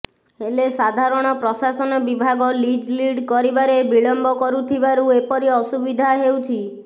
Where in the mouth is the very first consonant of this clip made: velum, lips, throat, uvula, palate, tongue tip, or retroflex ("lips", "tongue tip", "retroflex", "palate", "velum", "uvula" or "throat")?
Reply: tongue tip